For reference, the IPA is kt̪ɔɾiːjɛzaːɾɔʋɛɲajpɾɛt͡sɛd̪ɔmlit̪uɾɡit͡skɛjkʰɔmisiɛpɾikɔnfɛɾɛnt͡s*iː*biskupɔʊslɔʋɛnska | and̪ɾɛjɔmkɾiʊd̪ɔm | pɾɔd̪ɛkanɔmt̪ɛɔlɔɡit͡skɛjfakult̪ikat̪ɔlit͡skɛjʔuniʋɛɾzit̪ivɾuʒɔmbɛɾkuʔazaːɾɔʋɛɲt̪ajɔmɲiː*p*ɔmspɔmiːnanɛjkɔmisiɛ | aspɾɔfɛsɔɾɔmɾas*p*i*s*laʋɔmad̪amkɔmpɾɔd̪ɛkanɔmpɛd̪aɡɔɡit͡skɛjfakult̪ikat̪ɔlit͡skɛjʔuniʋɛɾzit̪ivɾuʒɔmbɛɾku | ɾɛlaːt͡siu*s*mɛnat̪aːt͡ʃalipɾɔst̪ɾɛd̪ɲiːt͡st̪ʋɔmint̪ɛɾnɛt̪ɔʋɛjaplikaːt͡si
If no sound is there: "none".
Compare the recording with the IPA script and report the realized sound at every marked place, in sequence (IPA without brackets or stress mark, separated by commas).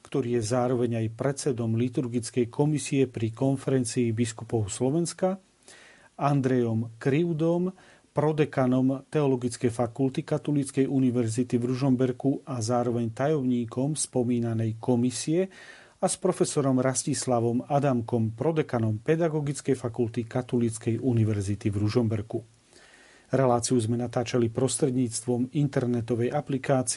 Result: iː, k, c, s, z